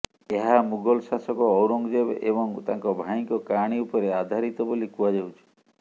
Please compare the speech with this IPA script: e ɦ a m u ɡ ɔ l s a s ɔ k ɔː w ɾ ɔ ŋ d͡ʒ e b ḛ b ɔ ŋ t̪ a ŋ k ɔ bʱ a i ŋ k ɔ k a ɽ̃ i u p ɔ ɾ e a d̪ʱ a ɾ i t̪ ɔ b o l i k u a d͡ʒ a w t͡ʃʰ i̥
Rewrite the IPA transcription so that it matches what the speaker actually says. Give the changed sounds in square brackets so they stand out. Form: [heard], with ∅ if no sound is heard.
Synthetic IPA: e ɦ a m u ɡ ɔ l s a s ɔ k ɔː w ɾ ɔ ŋ d͡ʒ e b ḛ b ɔ ŋ t̪ a ŋ k ɔ bʱ a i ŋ k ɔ k a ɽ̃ i u p ɔ ɾ e a d̪ʱ a ɾ i t̪ ɔ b o l i k u a d͡ʒ a w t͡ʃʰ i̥